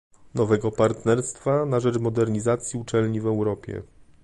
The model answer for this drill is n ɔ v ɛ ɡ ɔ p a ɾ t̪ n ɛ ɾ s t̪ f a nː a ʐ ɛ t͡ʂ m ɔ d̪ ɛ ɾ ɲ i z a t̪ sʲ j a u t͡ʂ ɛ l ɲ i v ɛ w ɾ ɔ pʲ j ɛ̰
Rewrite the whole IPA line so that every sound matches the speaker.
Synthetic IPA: n ɔ v ɛ ɡ ɔ p a ɾ t̪ n ɛ ɾ s t̪ f a n a ʐ ɛ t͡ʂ m ɔ d̪ ɛ ɾ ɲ i z a t̪ sʲ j i u t͡ʂ ɛ l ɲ i v ɛ w ɾ ɔ pʲ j ɛ̰

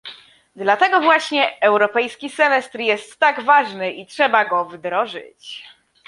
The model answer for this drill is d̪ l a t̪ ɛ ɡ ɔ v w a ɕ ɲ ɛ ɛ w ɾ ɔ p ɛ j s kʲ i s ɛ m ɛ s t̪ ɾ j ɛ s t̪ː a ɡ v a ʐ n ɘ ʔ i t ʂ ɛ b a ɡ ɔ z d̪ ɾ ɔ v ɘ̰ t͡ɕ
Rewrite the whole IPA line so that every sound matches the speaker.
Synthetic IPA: d̪ l a t̪ ɛ ɡ ɔ v w a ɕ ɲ ɛ ɛ w ɾ ɔ p ɛ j s kʲ i s ɛ m ɛ s t̪ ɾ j ɛ s t̪ː a ɡ v a ʐ n ɘ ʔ i t ʂ ɛ b a ɡ ɔ v d̪ ɾ ɔ ʐ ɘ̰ t͡ɕ

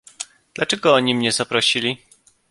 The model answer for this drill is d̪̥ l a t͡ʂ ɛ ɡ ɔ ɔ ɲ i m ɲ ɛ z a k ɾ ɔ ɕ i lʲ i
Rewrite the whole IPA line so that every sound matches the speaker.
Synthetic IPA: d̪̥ l a t͡ʂ ɛ ɡ ɔ ɔ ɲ i m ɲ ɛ z a p ɾ ɔ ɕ i lʲ i

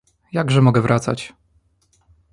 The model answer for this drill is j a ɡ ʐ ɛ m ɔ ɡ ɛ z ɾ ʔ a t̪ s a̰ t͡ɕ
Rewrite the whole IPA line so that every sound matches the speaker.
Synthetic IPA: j a ɡ ʐ ɛ m ɔ ɡ ɛ v ɾ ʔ a t̪ s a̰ t͡ɕ

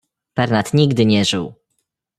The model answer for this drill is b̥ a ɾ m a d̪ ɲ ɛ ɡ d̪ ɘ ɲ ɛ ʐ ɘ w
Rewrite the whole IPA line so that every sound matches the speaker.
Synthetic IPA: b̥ ɛ ɾ n a t̪ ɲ i ɡ d̪ ɘ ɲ ɛ ʐ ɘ w

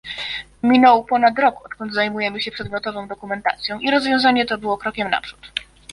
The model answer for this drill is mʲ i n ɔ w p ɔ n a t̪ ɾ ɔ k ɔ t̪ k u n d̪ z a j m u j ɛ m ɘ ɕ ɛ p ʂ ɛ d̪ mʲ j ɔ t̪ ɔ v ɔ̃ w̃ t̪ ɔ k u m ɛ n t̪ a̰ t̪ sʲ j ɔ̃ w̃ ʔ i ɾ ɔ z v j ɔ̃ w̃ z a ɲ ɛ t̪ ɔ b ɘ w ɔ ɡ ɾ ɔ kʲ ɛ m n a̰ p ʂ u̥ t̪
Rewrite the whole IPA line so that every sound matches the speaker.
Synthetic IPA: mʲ i n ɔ w p ɔ n a t̪ ɾ ɔ k ɔ t̪ k ɔ n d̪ z a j m u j ɛ m ɘ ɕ ɛ p ʂ ɛ d̪ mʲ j ɔ t̪ ɔ v ɔ̃ w̃ d̪ ɔ k u m ɛ n t̪ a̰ t̪ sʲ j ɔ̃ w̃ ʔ i ɾ ɔ z v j ɔ̃ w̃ z a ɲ ɛ t̪ ɔ b ɘ w ɔ k ɾ ɔ kʲ ɛ m n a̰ p ʂ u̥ t̪

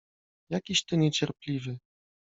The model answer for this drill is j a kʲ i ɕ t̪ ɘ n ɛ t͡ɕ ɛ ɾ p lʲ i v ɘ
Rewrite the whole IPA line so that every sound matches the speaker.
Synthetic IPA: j a kʲ i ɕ t̪ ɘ ɲ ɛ t͡ɕ ɛ ɾ p lʲ i v ɘ

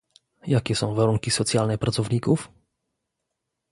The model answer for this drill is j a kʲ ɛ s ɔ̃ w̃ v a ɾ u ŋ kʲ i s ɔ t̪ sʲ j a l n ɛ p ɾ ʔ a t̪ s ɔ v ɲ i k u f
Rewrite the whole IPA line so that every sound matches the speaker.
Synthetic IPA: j a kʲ ɛ s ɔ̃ w̃ v a ɾ u ŋ kʲ i s ɔ t̪ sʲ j a l n ɛ p ɾ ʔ a t̪ s ɔ v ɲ i k u f

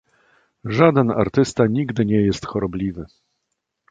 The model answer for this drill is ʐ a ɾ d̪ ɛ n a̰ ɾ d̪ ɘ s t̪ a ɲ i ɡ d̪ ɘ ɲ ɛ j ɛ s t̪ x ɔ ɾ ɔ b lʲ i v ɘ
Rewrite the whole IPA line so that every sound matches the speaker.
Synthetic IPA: ʐ a d̪ ɛ n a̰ ɾ t̪ ɘ s t̪ a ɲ i ɡ d̪ ɘ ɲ ɛ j ɛ s t̪ x ɔ ɾ ɔ b lʲ i v ɘ

